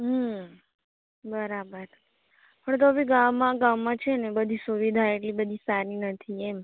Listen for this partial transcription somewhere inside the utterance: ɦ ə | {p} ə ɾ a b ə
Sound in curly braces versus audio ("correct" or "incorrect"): incorrect